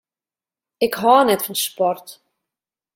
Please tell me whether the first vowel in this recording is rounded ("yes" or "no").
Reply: no